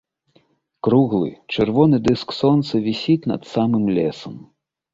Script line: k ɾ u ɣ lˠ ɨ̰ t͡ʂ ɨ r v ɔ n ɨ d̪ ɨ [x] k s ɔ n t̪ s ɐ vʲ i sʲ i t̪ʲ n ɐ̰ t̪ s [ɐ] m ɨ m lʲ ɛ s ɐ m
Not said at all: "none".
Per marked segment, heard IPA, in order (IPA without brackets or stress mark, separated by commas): s, a